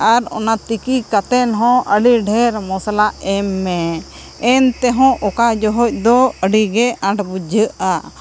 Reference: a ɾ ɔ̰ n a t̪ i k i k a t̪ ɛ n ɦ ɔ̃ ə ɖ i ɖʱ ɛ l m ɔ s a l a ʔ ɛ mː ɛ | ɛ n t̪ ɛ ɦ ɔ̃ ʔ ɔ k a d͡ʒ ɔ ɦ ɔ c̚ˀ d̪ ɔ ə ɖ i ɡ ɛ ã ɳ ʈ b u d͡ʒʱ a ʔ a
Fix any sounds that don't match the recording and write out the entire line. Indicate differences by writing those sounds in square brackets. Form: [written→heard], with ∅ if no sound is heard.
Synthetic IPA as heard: a ɾ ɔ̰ n a t̪ i k i k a t̪ ɛ n ɦ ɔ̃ ə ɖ i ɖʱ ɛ [l→ɾ] m ɔ s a l a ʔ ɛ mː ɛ | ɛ n t̪ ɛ ɦ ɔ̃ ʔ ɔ k a d͡ʒ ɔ ɦ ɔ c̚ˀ d̪ ɔ ə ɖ i ɡ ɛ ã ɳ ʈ b u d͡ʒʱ [a→ə] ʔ a